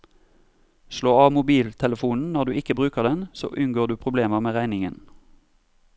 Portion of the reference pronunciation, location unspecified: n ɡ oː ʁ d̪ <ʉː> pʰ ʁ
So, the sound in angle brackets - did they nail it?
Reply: yes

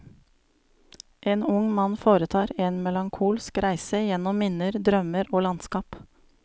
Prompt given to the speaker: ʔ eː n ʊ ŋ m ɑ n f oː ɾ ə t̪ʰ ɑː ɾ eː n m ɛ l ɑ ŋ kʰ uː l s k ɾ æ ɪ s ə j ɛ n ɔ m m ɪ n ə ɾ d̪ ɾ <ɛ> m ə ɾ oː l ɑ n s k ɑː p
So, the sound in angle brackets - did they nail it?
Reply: no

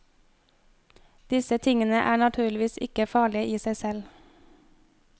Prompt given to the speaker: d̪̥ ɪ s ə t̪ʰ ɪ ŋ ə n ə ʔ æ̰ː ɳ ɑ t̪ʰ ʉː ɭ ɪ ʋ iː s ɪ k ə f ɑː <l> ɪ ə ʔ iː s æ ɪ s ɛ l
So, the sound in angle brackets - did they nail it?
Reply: no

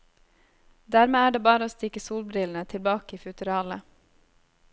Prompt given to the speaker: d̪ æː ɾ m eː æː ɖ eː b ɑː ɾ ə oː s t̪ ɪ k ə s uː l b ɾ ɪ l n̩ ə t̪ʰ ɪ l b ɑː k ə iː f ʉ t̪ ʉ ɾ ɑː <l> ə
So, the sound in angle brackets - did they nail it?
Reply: yes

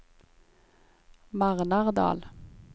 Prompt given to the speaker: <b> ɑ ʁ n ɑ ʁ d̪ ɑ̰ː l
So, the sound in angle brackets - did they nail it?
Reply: no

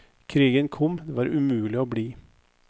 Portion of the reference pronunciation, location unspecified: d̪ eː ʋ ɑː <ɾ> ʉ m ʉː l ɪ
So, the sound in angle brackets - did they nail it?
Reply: yes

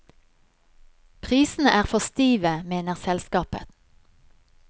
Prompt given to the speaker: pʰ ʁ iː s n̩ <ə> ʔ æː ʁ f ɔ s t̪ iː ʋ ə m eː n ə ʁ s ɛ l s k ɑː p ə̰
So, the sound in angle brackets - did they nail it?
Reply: yes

